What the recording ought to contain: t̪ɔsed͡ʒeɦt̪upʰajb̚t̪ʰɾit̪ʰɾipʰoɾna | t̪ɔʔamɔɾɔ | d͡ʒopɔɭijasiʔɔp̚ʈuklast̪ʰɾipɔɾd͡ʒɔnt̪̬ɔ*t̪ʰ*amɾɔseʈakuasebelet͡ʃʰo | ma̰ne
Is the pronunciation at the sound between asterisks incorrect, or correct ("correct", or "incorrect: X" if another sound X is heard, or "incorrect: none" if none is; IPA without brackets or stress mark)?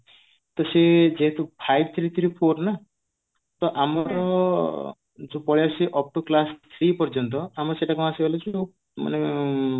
incorrect: none